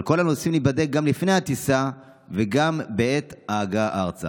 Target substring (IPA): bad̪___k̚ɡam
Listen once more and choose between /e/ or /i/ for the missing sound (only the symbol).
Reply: e